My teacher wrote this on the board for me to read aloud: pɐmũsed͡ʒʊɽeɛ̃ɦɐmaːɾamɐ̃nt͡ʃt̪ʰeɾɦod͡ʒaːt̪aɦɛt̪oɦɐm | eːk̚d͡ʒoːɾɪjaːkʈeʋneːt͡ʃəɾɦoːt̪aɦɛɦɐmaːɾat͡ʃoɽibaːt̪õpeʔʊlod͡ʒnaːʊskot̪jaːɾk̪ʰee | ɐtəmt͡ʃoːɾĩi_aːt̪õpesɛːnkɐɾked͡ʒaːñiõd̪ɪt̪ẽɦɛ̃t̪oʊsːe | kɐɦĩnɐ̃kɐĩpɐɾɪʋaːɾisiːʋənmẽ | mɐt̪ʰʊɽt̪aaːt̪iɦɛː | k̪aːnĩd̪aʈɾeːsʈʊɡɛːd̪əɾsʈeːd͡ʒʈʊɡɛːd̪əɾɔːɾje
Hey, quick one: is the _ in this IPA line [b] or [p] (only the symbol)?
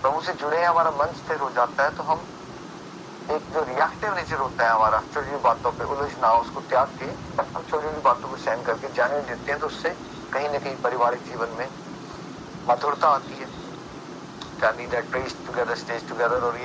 b